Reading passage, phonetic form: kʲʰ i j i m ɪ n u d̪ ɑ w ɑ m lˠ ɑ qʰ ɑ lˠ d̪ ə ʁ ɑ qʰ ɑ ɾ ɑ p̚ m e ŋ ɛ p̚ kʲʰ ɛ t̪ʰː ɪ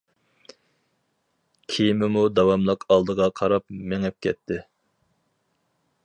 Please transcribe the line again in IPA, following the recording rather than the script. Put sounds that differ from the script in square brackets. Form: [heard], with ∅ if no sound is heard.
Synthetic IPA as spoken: kʲʰ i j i m ɪ [m] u d̪ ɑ w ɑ m lˠ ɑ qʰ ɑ lˠ d̪ ə ʁ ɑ qʰ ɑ ɾ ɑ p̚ m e ŋ ɛ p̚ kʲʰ ɛ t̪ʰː ɪ